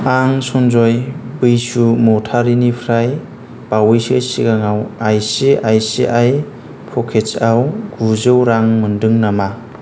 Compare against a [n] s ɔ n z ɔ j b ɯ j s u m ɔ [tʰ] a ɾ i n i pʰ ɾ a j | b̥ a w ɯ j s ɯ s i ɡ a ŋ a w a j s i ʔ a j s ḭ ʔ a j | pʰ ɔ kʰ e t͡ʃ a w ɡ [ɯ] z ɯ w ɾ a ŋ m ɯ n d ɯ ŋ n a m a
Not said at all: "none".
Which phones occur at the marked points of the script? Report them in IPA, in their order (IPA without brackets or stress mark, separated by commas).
ŋ, tʰ, u